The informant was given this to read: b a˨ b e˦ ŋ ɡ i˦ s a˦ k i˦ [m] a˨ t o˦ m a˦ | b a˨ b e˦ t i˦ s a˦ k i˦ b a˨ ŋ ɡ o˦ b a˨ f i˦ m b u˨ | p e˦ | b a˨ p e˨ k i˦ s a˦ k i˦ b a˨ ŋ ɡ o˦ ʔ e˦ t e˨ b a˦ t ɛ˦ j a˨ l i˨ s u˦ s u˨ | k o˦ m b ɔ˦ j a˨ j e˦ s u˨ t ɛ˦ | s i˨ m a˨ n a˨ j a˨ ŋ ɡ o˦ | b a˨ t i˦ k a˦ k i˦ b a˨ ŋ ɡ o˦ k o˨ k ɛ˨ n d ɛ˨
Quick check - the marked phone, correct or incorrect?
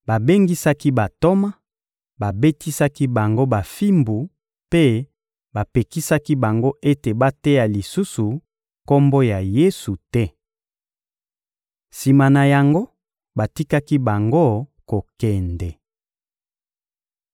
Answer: incorrect